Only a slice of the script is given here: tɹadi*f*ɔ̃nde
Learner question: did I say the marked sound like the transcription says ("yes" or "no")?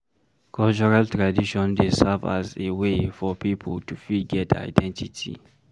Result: no